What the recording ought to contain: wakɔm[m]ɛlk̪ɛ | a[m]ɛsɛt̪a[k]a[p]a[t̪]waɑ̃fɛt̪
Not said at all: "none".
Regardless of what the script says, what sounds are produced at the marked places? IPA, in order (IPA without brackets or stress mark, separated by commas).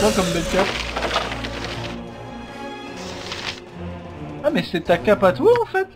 b, m, k, p, t̪